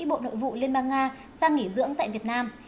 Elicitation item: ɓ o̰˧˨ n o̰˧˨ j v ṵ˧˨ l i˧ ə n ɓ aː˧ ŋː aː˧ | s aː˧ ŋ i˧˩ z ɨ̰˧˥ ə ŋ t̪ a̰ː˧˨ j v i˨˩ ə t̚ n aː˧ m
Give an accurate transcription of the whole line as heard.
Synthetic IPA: ɓ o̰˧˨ n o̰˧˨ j v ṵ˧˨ l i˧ ə n ɓ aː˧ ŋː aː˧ | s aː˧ ŋ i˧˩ z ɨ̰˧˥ ə ŋ t̪ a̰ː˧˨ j v i˨˩ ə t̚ n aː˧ m

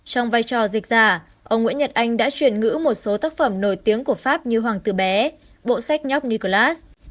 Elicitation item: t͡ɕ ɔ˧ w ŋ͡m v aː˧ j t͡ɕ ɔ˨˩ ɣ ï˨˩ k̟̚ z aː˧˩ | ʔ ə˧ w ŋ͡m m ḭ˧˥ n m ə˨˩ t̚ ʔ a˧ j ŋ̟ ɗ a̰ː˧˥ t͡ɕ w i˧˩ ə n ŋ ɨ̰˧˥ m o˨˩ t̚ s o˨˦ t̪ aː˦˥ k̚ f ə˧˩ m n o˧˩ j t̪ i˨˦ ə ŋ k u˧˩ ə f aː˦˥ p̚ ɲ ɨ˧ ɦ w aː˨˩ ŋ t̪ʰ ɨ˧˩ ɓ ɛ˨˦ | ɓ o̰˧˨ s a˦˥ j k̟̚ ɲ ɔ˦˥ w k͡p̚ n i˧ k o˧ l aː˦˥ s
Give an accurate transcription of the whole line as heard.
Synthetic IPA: t͡ɕ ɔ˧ w ŋ͡m v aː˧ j t͡ɕ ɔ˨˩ z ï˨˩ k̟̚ z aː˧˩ | ʔ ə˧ w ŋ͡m ŋ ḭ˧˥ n ɲ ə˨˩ t̚ ʔ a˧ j ŋ̟ ɗ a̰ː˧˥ t͡ɕ w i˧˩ ə n ŋ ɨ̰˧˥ m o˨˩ t̚ s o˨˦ t̪ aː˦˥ k̚ f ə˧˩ m n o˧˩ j t̪ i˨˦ ə ŋ k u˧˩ ə f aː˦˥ p̚ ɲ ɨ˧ ɦ w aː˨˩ ŋ t̪ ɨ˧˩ ɓ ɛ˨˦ | ɓ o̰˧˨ s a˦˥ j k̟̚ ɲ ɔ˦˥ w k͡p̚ n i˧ k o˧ l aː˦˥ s

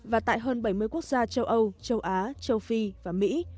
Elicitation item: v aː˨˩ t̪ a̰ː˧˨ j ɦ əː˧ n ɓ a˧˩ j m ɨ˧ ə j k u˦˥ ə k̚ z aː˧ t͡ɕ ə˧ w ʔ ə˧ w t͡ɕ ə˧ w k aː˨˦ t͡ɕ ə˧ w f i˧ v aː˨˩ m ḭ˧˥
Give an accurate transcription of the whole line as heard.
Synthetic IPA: v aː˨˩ t̪ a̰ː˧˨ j ɦ əː˧ n ɓ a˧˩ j m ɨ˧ ə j k u˦˥ ə k̚ z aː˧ t͡ɕ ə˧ w ʔ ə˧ w t͡ɕ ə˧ w ʔ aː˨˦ t͡ɕ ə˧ w f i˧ v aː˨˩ m ḭ˧˥

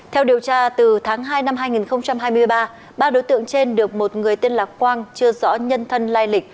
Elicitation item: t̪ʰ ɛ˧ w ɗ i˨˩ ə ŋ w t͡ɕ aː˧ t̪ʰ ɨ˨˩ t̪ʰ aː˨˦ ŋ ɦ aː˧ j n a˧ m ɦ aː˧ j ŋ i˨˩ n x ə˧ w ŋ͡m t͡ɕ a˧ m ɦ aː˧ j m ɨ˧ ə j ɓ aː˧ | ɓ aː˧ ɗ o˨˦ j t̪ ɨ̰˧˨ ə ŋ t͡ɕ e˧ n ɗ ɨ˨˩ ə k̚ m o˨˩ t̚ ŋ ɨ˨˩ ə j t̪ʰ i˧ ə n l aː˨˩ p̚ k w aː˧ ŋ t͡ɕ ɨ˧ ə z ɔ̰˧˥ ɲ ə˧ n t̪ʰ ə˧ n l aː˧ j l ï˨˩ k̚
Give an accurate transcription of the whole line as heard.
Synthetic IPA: t̪ʰ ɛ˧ w ɗ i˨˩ ə w t͡ɕ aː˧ t̪ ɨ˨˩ t̪ʰ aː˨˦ ŋ ɦ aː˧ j n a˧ m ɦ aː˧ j ŋ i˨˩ n x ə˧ w ŋ͡m t͡ɕ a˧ m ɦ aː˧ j m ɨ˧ ə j ɓ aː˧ | ɓ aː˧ ɗ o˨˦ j t̪ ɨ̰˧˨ ə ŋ t͡ɕ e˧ n ɗ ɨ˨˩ ə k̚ m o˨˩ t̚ ŋ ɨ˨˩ ə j t̪ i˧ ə n l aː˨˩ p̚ k w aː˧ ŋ t͡ɕ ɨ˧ ə z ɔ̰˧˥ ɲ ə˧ n t̪ʰ ə˧ n l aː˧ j l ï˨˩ k̚

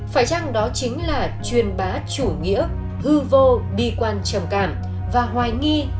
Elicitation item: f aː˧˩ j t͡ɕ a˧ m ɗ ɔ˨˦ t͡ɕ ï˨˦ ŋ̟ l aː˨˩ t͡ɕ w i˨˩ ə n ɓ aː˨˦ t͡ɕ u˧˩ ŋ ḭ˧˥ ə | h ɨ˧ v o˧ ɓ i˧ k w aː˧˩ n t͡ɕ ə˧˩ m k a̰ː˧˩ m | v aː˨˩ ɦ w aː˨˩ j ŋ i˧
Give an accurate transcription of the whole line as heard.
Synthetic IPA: f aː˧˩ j t͡ɕ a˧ ŋ ɗ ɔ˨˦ t͡ɕ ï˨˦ ŋ̟ l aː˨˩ t͡ɕ w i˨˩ ə n ɓ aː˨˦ t͡ɕ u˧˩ ŋ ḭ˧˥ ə | h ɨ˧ v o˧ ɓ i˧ k w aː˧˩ n t͡ɕ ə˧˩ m k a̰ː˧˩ m | v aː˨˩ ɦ w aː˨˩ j ŋ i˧

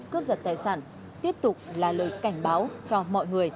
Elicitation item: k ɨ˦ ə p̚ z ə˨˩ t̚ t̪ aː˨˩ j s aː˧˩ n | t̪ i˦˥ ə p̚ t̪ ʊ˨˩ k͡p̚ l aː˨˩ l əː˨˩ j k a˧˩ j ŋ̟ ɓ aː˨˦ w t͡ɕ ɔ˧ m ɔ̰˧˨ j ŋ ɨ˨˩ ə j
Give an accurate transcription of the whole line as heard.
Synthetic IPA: k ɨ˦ ə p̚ z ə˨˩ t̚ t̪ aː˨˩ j s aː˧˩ n | t̪ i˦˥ ə p̚ t̪ ʊ˨˩ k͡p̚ l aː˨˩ l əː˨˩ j k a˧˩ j ŋ̟ ɓ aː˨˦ w t͡ɕ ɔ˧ m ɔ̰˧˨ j ŋ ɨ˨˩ ə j

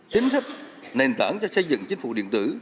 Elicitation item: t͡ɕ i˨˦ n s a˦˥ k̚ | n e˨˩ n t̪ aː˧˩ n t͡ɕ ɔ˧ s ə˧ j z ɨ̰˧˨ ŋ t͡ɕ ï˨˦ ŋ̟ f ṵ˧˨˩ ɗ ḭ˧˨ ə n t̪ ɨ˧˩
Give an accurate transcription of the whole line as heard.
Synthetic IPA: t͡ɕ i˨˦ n s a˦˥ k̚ | n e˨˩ n t̪ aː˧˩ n t͡ɕ ɔ˧ s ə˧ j z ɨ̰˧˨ ŋ t͡ɕ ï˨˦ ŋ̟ f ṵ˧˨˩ ɗ ḭ˧˨ ə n t̪ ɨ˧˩

